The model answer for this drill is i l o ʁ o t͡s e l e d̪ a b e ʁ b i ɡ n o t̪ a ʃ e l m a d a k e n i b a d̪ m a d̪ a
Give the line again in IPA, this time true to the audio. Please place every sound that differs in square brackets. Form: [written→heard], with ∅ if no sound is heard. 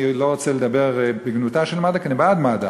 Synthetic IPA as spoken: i l o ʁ o t͡s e l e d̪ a b e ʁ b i ɡ n [o→u] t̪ a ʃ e l m a d a k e n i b a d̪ m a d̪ a